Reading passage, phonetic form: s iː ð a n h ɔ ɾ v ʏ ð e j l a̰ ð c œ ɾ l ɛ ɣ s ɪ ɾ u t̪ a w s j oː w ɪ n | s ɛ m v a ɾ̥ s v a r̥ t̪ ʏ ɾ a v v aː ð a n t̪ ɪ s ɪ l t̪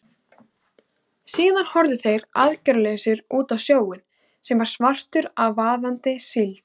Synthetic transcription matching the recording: s iː ð a n h ɔ ɾ ð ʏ θ e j ɾ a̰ ð c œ ɾ l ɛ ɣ s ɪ ɾ uː t̪ a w s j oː w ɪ n | s ɛ m v a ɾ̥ s v a r̥ t̪ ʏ ɾ a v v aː ð a n t̪ ɪ s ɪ l t̪